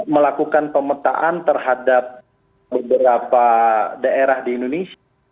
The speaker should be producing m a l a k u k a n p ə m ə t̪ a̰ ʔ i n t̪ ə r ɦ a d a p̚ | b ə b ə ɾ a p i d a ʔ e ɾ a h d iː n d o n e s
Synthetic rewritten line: m ə l a k u k a n p ə m ə t̪ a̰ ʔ a n t̪ ə r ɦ a d a p̚ | b ə b ə ɾ a p a d a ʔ e ɾ a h d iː n d o n e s